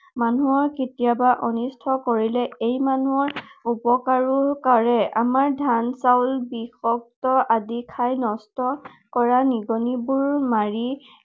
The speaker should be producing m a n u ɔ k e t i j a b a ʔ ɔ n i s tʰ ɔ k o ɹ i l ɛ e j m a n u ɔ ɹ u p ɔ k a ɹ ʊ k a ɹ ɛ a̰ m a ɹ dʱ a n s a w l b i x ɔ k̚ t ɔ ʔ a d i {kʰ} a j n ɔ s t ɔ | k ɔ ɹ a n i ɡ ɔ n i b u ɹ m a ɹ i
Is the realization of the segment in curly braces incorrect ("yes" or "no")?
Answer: no